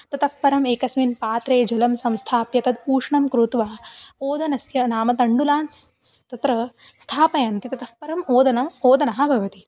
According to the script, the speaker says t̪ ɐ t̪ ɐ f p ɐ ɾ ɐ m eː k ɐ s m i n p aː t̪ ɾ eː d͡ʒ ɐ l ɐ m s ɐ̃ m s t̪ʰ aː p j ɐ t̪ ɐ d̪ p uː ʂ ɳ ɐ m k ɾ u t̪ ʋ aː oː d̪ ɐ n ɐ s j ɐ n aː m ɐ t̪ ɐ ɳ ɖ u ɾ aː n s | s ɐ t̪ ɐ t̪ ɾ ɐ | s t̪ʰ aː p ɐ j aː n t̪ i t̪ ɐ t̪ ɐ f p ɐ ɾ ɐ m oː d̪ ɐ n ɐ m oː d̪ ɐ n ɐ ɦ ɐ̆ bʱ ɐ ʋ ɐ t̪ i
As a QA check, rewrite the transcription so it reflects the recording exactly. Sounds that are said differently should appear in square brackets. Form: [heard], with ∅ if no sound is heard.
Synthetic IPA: t̪ ɐ t̪ ɐ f p ɐ ɾ ɐ m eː k ɐ s m i n p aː t̪ ɾ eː d͡ʒ ɐ l ɐ m s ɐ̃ m s t̪ʰ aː p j ɐ t̪ ɐ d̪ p uː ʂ ɳ ɐ m k ɾ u t̪ ʋ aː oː d̪ ɐ n ɐ s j ɐ n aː m ɐ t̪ ɐ ɳ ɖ u [l] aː n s | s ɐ t̪ ɐ t̪ ɾ ɐ | s t̪ʰ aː p ɐ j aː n t̪ i t̪ ɐ t̪ ɐ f p ɐ ɾ ɐ m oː d̪ ɐ n ɐ m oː d̪ ɐ n ɐ ɦ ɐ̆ bʱ ɐ ʋ ɐ t̪ i